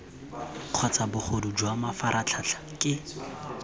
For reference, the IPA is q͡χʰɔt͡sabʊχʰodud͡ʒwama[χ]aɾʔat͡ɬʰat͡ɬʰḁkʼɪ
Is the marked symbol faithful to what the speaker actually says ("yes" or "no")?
no